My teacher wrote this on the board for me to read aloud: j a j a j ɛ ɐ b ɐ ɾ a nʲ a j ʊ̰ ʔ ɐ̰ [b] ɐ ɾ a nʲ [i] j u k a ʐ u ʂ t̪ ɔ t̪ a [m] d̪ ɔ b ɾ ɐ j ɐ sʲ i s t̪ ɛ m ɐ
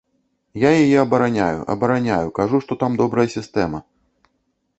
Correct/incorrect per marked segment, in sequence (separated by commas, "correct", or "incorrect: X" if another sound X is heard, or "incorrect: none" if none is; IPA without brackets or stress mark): correct, incorrect: a, correct